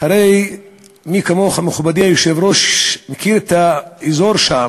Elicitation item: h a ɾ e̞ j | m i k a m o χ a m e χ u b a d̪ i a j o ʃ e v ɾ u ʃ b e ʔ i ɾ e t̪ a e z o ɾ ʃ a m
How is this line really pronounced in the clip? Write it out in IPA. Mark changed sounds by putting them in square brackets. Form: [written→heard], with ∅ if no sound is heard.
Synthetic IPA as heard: h a ɾ e̞ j | m i k a m o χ a m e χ u b a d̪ i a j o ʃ e v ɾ [u→o] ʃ [b→m] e [ʔ→k] i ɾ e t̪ a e z o ɾ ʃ a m

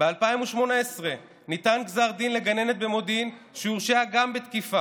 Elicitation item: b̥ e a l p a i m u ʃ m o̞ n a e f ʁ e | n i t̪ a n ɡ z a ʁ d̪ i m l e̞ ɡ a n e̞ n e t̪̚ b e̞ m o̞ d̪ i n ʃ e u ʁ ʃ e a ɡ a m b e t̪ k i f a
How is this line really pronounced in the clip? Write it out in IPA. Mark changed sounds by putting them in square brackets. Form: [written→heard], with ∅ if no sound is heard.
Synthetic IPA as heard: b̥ e a l p a i m u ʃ m o̞ n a e [f→s] ʁ e | n i t̪ a n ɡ z a ʁ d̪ i [m→n] l e̞ ɡ a n e̞ n e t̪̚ b e̞ m o̞ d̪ i n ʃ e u ʁ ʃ e a ɡ a m b e t̪ k i f a

